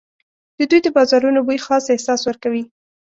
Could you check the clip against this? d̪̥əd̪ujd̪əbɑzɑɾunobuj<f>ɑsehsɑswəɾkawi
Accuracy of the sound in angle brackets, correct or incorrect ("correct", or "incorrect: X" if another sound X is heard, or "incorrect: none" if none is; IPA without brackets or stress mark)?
incorrect: x